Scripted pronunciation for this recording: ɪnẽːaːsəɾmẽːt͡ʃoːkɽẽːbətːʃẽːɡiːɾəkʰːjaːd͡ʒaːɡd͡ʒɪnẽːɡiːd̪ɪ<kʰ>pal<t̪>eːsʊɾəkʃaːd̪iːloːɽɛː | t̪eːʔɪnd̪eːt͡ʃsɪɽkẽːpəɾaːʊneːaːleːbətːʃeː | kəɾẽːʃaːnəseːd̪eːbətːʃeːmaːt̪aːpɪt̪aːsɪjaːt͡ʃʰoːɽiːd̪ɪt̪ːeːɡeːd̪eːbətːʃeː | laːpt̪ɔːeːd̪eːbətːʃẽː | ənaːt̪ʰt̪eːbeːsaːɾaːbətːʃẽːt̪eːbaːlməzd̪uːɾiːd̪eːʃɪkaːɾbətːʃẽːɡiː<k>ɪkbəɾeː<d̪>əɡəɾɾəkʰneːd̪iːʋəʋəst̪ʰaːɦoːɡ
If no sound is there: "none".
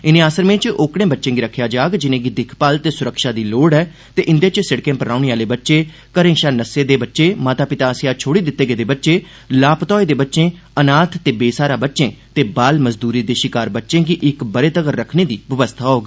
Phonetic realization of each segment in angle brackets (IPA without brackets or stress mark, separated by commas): kʰ, t̪, ʔ, t̪